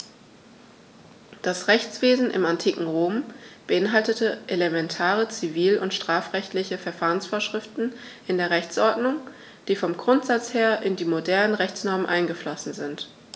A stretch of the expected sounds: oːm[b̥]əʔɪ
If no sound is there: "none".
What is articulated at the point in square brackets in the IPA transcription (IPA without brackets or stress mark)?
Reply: b̥